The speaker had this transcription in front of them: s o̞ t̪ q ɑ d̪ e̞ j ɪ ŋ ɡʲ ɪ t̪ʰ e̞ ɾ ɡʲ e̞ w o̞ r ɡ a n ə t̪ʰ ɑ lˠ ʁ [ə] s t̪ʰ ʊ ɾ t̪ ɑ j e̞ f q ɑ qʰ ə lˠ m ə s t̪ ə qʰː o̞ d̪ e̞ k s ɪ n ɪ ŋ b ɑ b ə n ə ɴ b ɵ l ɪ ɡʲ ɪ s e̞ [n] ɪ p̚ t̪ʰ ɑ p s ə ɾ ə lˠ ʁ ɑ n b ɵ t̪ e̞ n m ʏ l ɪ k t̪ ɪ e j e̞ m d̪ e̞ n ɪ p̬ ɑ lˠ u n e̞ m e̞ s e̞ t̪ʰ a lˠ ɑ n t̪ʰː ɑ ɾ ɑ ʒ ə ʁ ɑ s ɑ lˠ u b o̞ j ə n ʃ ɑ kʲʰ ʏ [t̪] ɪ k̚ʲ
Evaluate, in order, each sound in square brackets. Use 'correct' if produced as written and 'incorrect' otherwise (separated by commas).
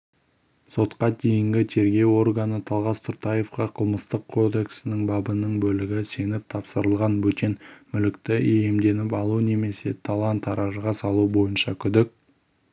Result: incorrect, correct, incorrect